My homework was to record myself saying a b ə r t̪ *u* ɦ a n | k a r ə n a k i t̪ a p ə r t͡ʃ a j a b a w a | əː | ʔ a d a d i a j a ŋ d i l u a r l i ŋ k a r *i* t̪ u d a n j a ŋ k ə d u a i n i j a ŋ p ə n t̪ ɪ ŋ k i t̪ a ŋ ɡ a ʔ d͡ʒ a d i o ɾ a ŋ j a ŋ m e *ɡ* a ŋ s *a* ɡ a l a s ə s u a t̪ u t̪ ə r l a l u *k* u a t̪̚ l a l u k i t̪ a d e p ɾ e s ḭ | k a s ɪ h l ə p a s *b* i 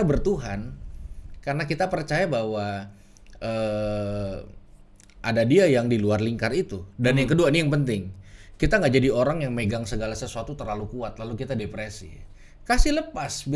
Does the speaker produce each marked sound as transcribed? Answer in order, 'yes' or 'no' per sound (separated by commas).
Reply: yes, yes, yes, no, yes, yes